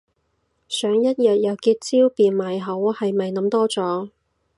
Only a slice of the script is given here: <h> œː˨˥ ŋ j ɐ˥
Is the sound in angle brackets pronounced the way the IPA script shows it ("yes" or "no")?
no